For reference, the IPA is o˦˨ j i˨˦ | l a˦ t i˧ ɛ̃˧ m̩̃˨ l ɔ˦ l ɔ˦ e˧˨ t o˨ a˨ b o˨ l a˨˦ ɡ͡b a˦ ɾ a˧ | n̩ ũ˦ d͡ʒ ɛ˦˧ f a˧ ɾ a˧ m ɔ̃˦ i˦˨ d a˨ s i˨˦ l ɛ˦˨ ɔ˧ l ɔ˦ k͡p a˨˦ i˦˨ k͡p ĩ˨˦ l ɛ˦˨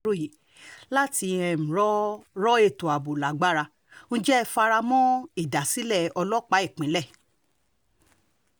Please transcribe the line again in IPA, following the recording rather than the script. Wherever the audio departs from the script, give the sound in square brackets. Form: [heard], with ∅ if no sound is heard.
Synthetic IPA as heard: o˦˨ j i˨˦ | l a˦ t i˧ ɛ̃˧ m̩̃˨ [ɾ] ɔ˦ [ɾ] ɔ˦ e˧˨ t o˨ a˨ b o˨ l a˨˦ ɡ͡b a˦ ɾ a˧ | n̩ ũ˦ d͡ʒ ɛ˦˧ f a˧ ɾ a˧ m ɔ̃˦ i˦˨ d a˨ s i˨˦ l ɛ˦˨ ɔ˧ l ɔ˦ k͡p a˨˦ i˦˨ k͡p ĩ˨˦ l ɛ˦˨